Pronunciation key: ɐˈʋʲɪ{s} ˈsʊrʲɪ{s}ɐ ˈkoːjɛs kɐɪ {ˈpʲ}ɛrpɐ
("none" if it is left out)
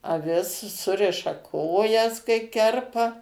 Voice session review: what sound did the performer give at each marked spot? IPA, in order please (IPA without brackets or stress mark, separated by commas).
s, ʃ, kʲ